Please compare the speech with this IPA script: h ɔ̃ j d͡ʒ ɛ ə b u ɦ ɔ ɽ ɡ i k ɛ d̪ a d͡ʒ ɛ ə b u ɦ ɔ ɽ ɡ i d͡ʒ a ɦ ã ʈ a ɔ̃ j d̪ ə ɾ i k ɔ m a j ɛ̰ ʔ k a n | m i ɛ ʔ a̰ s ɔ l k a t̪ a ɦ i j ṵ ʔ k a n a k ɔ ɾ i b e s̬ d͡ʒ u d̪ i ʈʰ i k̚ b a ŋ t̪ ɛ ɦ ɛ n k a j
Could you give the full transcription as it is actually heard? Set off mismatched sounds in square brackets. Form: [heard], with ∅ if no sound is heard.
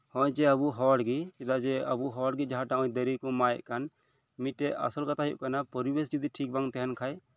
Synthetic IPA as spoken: h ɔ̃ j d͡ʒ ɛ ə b u ɦ ɔ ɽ ɡ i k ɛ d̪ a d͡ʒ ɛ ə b u ɦ ɔ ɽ ɡ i d͡ʒ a ɦ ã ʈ a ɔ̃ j d̪ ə ɾ i k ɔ m a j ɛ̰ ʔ k a n | m i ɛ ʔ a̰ s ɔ l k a t̪ a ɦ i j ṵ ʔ k a n a [p] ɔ ɾ i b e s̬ d͡ʒ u d̪ i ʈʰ i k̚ b a ŋ t̪ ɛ ɦ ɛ n [kʰ] a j